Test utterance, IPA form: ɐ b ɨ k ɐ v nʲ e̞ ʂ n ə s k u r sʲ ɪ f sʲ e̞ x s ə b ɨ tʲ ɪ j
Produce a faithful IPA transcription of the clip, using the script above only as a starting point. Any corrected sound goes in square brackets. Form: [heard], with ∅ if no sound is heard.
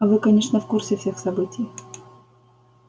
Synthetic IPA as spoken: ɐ [v] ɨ k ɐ [∅] nʲ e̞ ʂ n ə [f] k u r sʲ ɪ f sʲ e̞ x s [ɐ] b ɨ tʲ ɪ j